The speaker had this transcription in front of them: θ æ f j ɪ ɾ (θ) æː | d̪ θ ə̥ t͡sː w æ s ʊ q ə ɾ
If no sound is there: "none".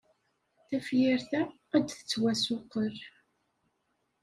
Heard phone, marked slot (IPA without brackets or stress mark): θ